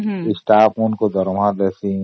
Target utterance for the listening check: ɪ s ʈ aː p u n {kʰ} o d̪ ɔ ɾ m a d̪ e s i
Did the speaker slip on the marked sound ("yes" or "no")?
yes